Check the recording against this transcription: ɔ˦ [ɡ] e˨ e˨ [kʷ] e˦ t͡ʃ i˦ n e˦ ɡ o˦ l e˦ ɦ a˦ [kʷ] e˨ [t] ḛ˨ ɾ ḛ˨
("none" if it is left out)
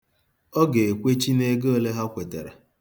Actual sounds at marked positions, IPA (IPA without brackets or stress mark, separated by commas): ɡ, kʷ, kʷ, t